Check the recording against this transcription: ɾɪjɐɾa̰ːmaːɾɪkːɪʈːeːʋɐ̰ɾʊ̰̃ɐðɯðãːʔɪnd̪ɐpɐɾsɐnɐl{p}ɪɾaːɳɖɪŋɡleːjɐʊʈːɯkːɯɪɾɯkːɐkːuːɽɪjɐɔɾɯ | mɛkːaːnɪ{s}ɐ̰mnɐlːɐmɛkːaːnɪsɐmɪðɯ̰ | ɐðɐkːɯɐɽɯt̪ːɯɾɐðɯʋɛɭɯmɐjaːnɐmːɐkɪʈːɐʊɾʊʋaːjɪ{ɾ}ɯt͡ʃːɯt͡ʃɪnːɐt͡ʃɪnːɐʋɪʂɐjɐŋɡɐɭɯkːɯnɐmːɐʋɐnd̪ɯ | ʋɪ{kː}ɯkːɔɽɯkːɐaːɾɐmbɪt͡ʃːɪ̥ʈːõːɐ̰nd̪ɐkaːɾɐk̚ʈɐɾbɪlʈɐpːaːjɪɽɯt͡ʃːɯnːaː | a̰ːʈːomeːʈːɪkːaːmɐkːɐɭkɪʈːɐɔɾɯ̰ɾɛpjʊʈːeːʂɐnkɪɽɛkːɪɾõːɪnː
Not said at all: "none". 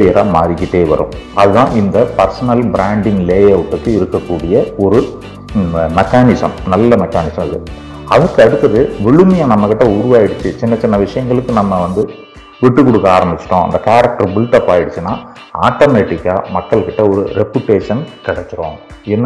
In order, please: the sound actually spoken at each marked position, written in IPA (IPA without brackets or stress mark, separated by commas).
b, s, ɽ, ʈː